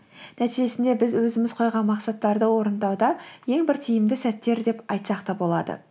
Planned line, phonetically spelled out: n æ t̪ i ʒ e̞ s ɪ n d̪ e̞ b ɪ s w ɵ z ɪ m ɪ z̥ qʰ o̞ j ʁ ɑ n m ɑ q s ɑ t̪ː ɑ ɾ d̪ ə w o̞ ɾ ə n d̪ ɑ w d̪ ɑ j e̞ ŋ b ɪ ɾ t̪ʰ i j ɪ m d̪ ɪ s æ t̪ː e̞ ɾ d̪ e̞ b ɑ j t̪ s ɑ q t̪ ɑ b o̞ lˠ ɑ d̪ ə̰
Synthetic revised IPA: n æ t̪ i ʒ e̞ s ɪ n d̪ e̞ b ɪ z w ɵ z ɪ m ɪ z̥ qʰ o̞ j ʁ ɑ n m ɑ q s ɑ t̪ː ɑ ɾ d̪ ə w o̞ ɾ ə n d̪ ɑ w d̪ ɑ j e̞ ŋ b ɪ ɾ t̪ʰ i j ɪ m d̪ ɪ s æ t̪ː e̞ ɾ d̪ e̞ p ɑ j t̪ s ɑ q t̪ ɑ b o̞ lˠ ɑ d̪ ə̰